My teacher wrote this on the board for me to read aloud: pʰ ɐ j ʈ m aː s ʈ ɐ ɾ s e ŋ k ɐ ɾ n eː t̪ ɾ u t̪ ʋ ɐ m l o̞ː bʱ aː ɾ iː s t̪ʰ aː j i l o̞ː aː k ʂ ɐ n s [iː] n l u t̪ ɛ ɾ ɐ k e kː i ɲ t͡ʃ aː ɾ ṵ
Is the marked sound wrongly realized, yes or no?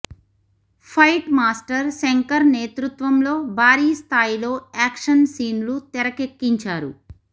no